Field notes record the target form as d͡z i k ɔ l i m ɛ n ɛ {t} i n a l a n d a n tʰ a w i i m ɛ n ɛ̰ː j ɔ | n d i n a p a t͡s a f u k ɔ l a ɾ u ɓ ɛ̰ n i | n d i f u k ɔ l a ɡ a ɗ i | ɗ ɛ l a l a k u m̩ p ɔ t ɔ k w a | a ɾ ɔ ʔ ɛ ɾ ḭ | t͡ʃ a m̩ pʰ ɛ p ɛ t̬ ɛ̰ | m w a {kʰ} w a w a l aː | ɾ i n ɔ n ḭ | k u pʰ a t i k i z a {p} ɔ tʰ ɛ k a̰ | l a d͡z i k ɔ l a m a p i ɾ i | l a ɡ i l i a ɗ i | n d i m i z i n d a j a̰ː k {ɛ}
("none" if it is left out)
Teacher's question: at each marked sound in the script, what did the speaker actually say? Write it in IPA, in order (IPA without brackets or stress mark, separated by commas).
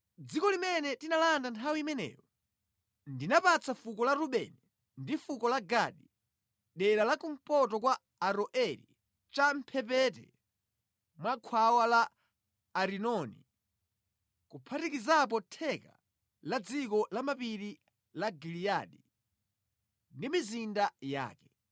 t, kʰ, p, ɛ